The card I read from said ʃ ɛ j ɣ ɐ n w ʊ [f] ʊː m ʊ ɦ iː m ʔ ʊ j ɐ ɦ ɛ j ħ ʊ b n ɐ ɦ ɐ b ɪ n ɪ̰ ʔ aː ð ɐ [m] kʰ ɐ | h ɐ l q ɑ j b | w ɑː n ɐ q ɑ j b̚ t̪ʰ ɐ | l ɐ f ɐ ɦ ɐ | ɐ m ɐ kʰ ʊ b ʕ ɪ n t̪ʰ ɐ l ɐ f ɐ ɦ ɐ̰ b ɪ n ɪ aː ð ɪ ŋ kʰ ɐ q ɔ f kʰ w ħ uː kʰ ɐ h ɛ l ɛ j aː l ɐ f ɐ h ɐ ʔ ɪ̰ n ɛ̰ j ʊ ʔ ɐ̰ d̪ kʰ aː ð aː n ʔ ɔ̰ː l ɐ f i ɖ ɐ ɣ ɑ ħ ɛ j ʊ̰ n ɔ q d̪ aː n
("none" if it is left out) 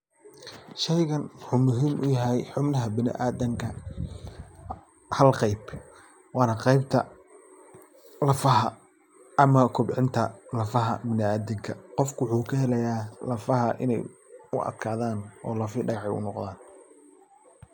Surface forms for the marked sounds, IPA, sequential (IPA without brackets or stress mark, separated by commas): ħ, ŋ